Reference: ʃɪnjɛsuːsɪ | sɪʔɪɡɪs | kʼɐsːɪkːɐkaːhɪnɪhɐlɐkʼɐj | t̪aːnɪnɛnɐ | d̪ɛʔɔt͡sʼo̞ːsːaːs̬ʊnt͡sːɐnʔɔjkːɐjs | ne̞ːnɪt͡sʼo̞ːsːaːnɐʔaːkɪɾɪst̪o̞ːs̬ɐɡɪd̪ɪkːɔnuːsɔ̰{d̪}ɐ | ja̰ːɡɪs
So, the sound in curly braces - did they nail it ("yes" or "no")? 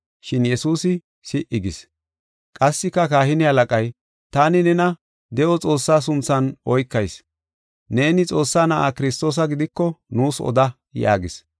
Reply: yes